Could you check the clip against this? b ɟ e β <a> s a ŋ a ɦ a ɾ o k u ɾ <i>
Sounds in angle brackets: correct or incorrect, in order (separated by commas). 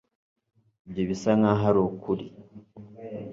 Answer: incorrect, correct